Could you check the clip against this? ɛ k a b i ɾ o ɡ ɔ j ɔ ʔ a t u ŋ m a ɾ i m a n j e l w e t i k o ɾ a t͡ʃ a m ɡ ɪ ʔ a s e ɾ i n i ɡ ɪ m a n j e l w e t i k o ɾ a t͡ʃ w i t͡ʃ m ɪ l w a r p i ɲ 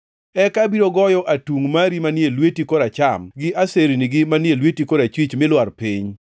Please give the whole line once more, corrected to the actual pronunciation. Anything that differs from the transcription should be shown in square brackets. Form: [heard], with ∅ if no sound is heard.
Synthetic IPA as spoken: ɛ k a b i ɾ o ɡ ɔ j ɔ ʔ a t u ŋ m a ɾ i m a n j e l w e t i k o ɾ a t͡ʃ a m ɡ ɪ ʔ a s e ɾ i n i ɡ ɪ m a n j e l w e t i k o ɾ a t͡ʃ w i t͡ʃ m ɪ l w a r p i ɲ